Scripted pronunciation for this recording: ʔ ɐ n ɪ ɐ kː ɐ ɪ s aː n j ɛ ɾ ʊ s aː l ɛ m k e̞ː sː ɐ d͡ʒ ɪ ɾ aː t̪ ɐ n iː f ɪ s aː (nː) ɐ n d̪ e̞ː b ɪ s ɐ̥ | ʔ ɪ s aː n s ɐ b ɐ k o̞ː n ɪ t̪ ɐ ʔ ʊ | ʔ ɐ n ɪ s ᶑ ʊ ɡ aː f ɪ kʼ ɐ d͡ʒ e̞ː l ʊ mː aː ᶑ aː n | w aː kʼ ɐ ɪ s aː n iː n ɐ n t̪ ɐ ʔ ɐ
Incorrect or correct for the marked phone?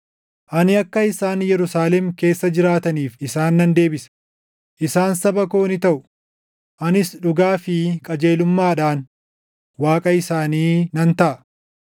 correct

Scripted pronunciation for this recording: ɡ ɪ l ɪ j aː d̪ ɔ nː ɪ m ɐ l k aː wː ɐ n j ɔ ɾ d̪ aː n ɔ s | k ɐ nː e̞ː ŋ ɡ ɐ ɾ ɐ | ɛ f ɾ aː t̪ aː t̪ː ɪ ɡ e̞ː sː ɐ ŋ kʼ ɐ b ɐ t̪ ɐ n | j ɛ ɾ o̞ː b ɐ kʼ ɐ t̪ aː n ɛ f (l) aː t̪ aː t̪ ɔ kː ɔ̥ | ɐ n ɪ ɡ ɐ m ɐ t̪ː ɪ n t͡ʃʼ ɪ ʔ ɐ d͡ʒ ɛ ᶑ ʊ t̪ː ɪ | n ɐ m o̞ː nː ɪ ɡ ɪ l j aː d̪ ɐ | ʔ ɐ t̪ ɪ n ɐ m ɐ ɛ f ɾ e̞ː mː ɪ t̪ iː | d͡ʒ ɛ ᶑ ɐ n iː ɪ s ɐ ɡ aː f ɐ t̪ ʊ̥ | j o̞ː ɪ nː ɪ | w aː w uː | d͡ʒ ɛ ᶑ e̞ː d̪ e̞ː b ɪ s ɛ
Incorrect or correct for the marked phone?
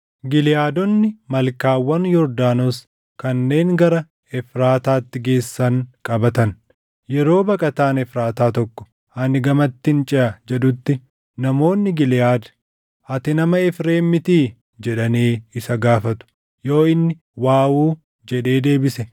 incorrect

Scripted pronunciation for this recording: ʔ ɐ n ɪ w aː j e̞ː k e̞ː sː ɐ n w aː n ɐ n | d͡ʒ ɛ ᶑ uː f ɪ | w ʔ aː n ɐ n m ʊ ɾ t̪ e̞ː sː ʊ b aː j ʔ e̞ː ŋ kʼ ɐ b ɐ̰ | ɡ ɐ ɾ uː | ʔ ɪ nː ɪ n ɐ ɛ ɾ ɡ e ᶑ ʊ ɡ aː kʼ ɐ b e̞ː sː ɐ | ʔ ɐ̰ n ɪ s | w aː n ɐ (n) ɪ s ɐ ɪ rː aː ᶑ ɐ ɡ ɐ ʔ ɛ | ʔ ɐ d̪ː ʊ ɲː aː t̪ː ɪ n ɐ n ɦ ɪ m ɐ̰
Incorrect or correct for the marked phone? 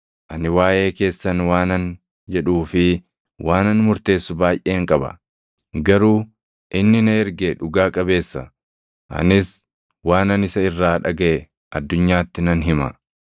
correct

